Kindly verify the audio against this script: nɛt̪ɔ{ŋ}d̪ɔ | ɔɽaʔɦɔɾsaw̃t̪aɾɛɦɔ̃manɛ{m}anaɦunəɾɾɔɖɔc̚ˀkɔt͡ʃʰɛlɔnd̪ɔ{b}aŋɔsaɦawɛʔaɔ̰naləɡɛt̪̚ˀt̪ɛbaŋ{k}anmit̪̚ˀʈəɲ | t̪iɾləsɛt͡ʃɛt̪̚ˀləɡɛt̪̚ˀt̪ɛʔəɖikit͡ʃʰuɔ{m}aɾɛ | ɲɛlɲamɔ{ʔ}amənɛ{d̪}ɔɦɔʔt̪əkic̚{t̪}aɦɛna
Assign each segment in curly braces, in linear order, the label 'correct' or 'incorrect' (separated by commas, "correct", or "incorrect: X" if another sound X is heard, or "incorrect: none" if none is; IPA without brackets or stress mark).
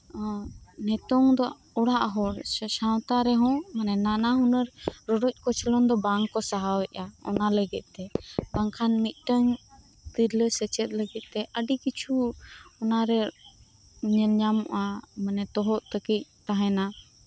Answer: correct, incorrect: n, correct, incorrect: kʰ, incorrect: n, correct, incorrect: t̪, correct